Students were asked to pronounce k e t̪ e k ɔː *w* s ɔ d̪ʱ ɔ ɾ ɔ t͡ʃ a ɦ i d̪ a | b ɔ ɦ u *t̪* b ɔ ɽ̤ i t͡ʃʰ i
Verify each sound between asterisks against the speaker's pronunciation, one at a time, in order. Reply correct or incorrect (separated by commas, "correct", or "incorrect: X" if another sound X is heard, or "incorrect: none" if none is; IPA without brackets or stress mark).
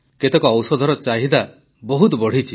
correct, correct